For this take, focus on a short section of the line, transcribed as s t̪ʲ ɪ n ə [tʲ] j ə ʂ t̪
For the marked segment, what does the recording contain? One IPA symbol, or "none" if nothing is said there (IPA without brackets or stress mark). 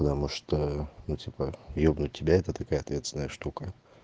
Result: none